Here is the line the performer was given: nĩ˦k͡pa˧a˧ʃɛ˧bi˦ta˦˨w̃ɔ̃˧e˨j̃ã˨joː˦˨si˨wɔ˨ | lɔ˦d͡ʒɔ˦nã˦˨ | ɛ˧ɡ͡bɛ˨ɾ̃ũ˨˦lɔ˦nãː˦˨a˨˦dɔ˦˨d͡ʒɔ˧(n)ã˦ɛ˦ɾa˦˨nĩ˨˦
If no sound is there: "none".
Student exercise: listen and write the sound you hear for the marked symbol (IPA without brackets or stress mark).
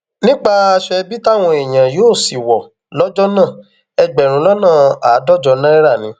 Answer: n